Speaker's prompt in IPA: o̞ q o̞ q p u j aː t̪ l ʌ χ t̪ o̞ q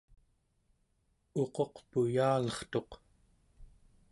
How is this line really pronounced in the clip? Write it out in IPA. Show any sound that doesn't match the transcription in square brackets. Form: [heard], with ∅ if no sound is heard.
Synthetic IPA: o̞ q o̞ q p u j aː [∅] l ʌ χ t̪ o̞ q